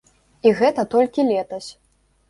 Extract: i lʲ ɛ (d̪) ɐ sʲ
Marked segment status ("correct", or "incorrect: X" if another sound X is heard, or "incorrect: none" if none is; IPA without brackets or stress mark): incorrect: t̪